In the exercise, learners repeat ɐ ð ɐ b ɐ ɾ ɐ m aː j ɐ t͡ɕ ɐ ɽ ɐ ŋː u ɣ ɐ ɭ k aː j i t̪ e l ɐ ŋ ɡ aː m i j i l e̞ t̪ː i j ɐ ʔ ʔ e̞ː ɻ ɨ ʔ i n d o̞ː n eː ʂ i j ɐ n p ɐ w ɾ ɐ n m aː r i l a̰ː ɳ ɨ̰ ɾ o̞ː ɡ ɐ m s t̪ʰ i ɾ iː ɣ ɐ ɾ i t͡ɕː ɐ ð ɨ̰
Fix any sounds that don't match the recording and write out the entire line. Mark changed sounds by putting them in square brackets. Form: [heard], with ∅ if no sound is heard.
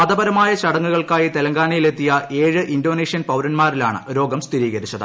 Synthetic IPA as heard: ɐ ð ɐ b ɐ ɾ ɐ m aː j ɐ t͡ɕ ɐ ɽ ɐ ŋː u ɣ ɐ ɭ k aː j i t̪ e l ɐ ŋ ɡ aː [ɳ] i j i l e̞ t̪ː i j ɐ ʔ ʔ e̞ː ɻ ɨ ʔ i n d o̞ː n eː ʂ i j ɐ n p ɐ w ɾ ɐ n m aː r i l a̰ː ɳ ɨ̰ ɾ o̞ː ɡ ɐ m s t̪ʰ i ɾ iː ɣ ɐ ɾ i t͡ɕː ɐ ð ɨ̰